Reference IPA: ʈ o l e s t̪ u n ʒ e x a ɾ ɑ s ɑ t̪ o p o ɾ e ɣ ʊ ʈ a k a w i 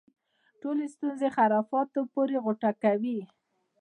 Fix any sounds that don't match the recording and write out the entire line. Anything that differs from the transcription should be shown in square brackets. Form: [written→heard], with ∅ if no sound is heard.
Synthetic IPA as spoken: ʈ o l e s t̪ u n [ʒ→z] e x a ɾ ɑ [s→f] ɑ t̪ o p o ɾ e ɣ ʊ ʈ a k a w i